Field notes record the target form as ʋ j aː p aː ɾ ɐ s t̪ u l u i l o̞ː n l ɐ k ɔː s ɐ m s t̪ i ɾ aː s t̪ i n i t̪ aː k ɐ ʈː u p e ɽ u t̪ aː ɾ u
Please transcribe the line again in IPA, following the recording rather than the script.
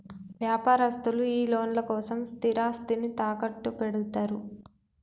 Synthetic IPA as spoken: ʋ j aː p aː ɾ ɐ s t̪ u l u iː l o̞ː n l ɐ k ɔː s ɐ m s t̪ i ɾ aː s t̪ i n i t̪ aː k ɐ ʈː u p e ɽ u t̪ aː ɾ u